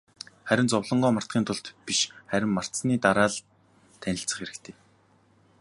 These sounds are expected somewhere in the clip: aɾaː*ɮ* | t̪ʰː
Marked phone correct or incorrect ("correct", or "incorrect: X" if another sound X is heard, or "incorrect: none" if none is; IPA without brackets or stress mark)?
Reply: correct